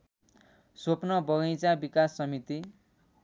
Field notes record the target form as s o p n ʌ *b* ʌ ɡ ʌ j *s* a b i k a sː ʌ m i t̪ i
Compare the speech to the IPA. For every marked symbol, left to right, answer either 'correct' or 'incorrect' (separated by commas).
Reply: correct, incorrect